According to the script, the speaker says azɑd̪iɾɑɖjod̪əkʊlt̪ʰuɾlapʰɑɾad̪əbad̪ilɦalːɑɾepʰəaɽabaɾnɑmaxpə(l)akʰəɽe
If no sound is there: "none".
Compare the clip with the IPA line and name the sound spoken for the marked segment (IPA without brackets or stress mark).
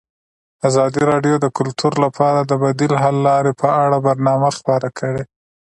ɾ